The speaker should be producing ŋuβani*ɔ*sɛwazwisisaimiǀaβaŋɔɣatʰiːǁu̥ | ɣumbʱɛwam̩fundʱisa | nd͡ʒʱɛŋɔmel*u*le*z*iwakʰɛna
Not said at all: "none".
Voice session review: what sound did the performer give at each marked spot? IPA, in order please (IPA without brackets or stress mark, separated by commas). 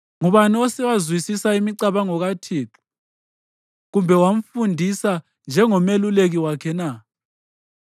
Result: ɔ, u, ɣ